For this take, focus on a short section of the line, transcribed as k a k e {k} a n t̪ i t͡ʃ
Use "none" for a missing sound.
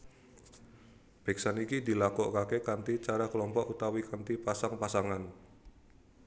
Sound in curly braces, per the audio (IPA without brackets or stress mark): k